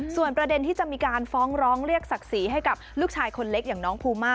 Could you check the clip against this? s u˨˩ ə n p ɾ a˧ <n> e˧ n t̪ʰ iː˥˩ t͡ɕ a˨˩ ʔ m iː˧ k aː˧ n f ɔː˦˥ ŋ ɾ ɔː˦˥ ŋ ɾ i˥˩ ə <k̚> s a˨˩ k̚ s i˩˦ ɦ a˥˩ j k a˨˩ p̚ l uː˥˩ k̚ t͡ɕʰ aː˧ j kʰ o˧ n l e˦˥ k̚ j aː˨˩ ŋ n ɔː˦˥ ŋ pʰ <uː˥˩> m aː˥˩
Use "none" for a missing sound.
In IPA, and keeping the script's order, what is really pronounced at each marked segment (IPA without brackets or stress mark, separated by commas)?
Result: d, k̚, uː˧